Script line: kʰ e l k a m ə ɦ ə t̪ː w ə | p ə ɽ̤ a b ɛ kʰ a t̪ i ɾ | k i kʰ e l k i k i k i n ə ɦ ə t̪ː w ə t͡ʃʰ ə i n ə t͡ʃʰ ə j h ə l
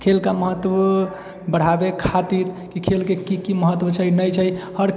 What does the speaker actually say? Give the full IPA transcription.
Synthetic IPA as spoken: kʰ e l k a m ə ɦ ə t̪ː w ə | b ə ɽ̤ a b e kʰ a t̪ i ɾ | k i kʰ e l k e k i k i m ə ɦ ə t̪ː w ə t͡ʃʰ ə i n ə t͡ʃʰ ə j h ə ɾ

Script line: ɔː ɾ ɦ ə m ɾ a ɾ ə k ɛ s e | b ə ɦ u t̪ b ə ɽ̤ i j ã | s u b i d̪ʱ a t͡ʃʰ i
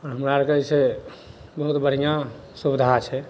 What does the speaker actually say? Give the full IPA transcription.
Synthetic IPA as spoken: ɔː ɾ ɦ ə m ɾ a ɾ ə k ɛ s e | b ə ɦ u t̪ b ə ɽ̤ i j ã | s u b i d̪ʱ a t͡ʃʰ ɛ

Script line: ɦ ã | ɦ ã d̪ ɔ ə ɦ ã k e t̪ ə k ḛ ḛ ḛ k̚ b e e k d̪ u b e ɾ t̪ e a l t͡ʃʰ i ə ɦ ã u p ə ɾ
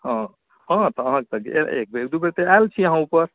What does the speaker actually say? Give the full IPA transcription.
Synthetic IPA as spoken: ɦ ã | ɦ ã t̪ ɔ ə ɦ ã k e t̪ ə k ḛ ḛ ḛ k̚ b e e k d̪ u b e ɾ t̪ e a l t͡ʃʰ i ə ɦ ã u p ə ɾ

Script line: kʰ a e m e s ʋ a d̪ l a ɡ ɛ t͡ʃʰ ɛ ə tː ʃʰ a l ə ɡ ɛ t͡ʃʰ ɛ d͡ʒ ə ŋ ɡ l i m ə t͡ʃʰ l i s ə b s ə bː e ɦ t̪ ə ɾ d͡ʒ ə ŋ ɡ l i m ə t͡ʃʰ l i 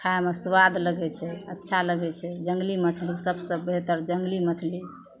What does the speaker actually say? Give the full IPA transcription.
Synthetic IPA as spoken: kʰ a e m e s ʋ a d̪ l ə ɡ ɛ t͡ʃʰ ɛ ə tː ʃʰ a l ə ɡ ɛ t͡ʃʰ ɛ d͡ʒ ə ŋ ɡ l i m ə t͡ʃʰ l i s ə b s ə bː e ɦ t̪ ə ɾ d͡ʒ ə ŋ ɡ l i m ə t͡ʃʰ l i

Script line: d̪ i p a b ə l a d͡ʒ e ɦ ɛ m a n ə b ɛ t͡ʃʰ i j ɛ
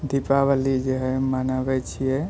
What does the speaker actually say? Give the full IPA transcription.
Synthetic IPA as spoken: d̪ i p a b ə l i d͡ʒ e ɦ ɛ m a n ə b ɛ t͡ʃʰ i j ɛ

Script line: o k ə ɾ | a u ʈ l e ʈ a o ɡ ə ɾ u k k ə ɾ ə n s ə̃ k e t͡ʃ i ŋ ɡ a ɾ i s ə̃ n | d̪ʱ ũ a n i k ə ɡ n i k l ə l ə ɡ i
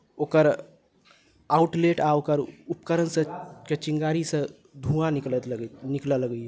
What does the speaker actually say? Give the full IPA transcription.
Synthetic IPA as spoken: o k ə ɾ | a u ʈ l e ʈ a o k ə ɾ u p k ə ɾ ə n s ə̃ k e t͡ʃ i ŋ ɡ a ɾ i s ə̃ | d̪ʱ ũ a n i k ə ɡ n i k l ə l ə ɡ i

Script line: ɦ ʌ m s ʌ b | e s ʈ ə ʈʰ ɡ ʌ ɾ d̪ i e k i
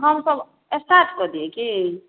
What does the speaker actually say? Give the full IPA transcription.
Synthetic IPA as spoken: ɦ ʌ m s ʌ b | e s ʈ a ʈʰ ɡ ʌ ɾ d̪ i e k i

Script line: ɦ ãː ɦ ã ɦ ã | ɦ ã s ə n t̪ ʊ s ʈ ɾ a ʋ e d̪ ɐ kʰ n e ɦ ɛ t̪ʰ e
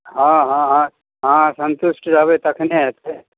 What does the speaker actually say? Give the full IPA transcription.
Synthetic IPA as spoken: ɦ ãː ɦ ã ɦ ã | ɦ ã s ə n t̪ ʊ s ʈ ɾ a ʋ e t̪ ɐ kʰ n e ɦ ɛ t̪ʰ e

